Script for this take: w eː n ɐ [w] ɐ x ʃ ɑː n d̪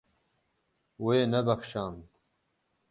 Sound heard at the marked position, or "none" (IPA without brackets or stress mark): b